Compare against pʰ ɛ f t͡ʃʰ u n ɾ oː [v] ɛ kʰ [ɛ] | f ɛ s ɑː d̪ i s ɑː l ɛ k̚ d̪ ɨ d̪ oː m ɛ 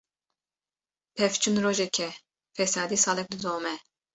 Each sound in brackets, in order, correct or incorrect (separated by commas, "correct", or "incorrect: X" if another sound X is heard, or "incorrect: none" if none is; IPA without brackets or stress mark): incorrect: ʒ, correct